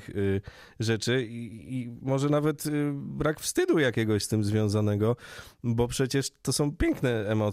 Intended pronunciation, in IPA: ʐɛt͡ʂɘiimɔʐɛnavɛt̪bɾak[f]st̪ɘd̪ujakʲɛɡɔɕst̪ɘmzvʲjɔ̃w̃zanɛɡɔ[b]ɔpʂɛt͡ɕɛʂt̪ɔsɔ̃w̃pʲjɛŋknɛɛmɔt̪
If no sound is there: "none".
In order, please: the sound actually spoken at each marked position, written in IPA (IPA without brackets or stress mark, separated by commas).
f, b